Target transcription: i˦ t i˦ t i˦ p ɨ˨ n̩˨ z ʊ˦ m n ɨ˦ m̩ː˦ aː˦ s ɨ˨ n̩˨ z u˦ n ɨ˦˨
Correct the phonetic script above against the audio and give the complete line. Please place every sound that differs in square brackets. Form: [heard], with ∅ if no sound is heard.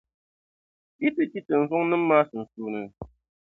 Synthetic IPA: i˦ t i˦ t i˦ [t] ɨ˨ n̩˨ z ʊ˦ [ŋ] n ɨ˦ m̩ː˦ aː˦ s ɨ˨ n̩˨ [s] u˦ n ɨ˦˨